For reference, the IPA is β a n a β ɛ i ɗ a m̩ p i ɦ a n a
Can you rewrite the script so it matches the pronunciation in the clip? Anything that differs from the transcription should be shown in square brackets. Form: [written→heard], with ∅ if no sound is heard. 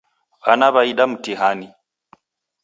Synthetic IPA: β a n a β [ɛ→a] i ɗ a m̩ [p→t] i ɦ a n [a→i]